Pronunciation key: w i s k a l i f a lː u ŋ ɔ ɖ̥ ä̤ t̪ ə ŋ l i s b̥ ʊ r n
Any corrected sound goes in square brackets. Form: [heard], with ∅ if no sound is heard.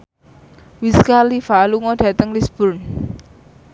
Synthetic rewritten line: w i s k a l i f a [l] u ŋ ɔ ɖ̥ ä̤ t̪ ə ŋ l i s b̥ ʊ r n